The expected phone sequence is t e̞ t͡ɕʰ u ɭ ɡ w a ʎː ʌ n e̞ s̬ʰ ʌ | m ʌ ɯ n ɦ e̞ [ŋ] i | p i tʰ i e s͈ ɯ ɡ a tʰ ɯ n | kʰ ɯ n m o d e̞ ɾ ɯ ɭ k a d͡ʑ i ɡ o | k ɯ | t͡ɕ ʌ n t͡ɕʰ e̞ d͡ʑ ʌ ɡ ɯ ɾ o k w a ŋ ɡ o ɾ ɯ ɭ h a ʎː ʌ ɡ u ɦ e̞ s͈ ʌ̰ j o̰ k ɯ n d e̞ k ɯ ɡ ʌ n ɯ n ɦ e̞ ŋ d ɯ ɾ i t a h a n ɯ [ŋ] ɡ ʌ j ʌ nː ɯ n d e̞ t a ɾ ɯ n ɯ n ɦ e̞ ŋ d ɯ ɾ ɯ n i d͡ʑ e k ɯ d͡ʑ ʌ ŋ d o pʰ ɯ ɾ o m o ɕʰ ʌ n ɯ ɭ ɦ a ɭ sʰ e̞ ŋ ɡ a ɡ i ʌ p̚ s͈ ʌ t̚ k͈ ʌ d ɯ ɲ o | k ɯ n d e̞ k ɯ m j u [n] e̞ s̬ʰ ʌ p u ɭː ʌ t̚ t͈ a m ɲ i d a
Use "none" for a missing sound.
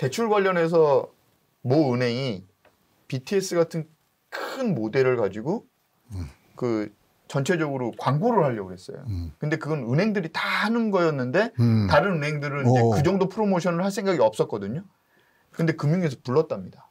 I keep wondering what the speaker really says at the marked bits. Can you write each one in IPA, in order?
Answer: ŋ, n, ŋ

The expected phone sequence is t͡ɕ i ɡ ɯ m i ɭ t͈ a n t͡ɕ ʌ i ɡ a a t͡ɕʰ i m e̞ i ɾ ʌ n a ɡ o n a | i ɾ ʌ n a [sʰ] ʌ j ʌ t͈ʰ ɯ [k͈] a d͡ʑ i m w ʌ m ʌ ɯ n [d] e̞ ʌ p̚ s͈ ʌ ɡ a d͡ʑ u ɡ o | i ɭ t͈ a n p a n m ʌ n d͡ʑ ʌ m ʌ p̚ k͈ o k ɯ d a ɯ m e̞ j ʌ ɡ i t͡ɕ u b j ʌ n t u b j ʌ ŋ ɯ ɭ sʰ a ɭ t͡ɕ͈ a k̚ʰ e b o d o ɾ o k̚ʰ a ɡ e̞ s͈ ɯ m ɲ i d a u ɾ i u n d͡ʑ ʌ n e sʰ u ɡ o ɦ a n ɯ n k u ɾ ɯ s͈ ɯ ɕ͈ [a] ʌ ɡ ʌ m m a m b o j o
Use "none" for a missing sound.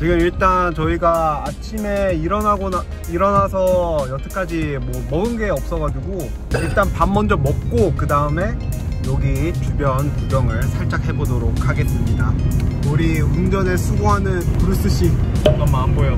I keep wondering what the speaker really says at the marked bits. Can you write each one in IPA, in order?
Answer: sʰ, k͈, ɡ, i

